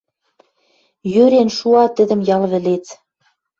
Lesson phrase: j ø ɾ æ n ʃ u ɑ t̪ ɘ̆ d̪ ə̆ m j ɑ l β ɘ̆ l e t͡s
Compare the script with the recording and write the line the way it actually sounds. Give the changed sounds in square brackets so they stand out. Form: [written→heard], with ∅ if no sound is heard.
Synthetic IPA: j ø ɾ [æ→e] n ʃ u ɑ t̪ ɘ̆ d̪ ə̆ m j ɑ l β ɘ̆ l e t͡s